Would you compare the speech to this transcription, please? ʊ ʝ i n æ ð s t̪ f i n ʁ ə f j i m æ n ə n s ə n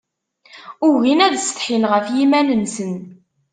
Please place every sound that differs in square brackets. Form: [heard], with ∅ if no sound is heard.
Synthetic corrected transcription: ʊ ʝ i n æ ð s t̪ [ħ] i n ʁ ə f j i m æ n ə n s ə n